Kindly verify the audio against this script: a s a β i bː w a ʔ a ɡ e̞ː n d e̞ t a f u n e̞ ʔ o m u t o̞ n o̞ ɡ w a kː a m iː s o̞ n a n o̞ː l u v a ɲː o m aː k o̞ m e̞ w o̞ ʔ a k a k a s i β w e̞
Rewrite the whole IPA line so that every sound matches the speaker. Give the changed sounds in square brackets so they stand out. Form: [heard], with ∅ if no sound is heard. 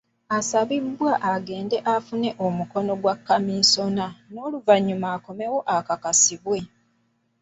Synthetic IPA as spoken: a s a β i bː w a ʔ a ɡ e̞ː n d e̞ [ʔ] a f u n e̞ ʔ o m u [k] o̞ n o̞ ɡ w a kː a m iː s o̞ n a n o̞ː l u v a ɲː [u] m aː k o̞ m e̞ w o̞ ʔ a k a k a s i β w e̞